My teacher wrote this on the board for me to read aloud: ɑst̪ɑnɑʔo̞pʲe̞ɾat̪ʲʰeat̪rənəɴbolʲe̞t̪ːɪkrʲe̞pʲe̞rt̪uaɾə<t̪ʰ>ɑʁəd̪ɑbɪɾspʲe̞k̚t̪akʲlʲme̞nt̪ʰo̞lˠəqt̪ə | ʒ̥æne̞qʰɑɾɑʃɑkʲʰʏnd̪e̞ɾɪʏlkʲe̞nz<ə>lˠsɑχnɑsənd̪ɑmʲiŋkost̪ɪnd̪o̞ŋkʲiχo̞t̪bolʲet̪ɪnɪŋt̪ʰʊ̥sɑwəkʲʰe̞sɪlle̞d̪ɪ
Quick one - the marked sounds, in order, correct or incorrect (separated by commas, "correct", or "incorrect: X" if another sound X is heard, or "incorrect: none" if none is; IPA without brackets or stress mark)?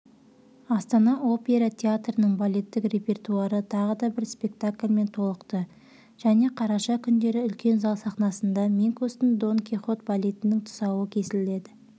correct, incorrect: ɑ